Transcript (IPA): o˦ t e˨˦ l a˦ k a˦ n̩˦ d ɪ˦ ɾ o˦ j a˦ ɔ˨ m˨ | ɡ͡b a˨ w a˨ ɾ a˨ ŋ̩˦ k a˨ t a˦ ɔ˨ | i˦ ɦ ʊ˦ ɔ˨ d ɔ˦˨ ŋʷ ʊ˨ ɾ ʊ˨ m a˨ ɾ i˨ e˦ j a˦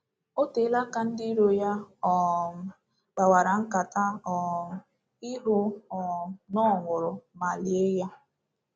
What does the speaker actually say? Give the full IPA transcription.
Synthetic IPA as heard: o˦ t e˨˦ l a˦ k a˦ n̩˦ d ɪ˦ ɾ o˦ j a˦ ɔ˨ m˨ | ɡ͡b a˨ w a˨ ɾ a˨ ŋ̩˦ k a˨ t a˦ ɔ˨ | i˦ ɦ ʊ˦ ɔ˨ n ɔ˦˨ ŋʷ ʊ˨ ɾ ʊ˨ m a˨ l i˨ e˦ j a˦

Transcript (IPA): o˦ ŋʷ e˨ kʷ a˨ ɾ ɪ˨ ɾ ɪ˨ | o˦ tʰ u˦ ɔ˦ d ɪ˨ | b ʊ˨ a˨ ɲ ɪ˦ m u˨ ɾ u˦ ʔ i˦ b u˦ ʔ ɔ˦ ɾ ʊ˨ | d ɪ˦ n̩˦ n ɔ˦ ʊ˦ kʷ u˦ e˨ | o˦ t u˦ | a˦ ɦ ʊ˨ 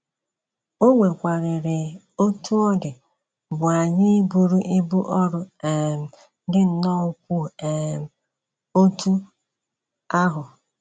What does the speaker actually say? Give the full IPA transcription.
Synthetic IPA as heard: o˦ ŋʷ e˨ kʷ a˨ ɾ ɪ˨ ɾ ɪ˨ | o˦ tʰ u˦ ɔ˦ d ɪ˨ | b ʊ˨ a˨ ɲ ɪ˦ b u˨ ɾ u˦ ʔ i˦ b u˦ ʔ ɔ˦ ɾ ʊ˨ | d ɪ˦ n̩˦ n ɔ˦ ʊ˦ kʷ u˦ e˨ | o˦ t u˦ | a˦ ɦ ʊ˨

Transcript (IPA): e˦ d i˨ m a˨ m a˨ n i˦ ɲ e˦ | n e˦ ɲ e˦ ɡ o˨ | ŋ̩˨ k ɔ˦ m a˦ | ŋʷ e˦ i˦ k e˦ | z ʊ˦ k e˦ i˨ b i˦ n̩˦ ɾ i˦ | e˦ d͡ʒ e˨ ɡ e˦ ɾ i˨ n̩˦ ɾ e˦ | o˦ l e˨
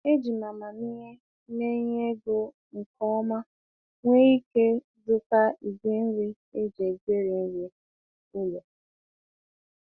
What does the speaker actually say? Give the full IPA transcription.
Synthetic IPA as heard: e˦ d͡ʒ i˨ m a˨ m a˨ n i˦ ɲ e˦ | n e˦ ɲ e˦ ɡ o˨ | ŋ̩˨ k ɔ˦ m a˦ | ŋʷ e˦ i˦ k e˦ | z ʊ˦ k a˦ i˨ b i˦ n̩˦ ɾ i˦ | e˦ d͡ʒ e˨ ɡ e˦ ɾ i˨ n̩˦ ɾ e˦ | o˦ l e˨

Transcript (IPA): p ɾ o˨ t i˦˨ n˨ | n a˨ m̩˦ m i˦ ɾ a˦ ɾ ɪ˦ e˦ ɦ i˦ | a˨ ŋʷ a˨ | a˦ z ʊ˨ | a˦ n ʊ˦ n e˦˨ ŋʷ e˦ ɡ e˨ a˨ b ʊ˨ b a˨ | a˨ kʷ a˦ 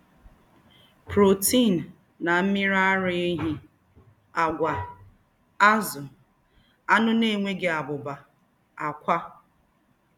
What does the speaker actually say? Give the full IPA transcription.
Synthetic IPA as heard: p ɾ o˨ t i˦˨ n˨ | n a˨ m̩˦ m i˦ ɾ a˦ ɾ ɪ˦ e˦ ɦ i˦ | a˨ ɡʷ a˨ | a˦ z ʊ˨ | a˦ n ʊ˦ n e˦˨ ŋʷ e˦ ɡ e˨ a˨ b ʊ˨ b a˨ | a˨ kʷ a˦

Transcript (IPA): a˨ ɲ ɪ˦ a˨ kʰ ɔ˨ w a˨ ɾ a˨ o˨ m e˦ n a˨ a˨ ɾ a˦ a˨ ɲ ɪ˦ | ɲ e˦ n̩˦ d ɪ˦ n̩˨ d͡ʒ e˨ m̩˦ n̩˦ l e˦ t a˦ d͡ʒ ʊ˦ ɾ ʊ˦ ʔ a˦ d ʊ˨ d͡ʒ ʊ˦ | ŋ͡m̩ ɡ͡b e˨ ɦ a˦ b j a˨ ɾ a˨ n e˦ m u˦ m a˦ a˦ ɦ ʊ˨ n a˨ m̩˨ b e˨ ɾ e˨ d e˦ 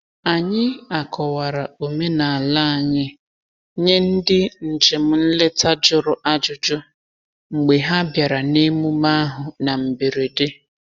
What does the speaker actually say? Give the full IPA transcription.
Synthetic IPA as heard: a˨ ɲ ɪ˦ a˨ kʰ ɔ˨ w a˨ ɾ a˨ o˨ m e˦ n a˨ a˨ l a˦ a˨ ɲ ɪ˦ | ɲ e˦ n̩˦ d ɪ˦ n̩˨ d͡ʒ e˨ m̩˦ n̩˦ l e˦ t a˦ d͡ʒ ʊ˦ ɾ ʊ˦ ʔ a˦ d͡ʒ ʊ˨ d͡ʒ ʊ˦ | ŋ͡m̩ ɡ͡b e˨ ɦ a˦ b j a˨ ɾ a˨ n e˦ m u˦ m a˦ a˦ ɦ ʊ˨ n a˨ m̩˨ b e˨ ɾ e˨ d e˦

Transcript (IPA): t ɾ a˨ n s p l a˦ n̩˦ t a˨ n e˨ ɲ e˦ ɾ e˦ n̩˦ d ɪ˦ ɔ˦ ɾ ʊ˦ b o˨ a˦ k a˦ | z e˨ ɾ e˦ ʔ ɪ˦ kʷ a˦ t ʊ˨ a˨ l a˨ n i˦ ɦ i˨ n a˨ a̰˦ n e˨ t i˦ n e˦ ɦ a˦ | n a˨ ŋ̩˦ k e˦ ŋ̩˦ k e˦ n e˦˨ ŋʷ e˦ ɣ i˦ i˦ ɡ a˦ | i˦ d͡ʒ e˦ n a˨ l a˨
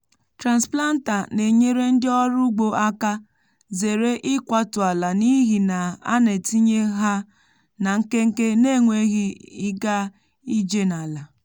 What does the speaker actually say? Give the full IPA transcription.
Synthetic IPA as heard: t ɾ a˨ n s p l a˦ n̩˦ t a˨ n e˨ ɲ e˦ ɾ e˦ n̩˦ d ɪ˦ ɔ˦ ɾ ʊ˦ ɡ͡b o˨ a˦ k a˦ | z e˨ ɾ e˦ ʔ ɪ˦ kʷ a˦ t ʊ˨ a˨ l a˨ n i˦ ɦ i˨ n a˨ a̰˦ n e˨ t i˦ ɲ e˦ ɦ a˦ | n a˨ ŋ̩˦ k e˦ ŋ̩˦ k e˦ n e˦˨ ŋʷ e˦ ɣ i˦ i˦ ɡ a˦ | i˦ d͡ʒ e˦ n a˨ l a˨

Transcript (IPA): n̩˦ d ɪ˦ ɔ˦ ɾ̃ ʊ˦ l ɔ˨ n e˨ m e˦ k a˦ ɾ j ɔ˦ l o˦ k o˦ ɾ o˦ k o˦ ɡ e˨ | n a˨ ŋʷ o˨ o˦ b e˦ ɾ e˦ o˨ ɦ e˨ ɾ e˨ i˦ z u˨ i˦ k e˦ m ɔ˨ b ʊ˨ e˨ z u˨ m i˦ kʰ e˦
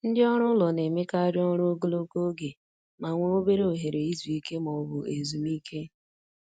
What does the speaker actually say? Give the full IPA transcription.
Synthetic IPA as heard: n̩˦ d ɪ˦ ɔ˦ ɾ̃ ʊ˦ l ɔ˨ n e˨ m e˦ k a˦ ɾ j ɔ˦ ɾ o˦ ɡ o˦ l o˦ k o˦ ɡ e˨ | m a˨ ŋʷ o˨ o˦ b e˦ ɾ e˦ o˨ ɦ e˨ ɾ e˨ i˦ z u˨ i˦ k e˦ m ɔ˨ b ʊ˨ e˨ z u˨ m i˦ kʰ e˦

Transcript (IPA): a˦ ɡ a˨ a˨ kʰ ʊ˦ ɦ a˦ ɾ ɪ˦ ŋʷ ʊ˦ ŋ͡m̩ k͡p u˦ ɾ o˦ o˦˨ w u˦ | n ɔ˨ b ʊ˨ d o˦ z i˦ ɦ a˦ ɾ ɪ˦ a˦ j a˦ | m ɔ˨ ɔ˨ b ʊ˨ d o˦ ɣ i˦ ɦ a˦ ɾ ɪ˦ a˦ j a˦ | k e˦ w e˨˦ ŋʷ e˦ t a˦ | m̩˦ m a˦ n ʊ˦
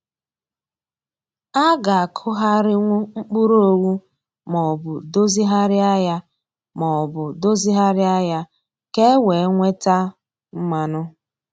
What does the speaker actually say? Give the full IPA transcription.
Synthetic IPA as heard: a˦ ɡ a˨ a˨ kʰ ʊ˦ ɦ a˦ ɾ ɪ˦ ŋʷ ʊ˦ ŋ͡m̩ k͡p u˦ ɾ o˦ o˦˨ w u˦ | m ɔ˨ b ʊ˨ d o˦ z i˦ ɦ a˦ ɾ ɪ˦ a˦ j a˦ | m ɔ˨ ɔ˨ b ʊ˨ d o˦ z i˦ ɦ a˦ ɾ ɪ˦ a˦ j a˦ | k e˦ w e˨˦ ŋʷ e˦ t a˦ | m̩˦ m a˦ n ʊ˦

